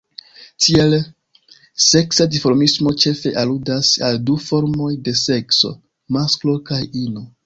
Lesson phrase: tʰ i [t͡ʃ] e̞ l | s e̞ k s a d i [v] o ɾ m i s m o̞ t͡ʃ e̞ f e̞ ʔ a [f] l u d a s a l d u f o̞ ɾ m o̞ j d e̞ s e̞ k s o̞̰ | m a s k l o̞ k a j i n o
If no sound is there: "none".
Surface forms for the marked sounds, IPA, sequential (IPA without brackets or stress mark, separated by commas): none, f, none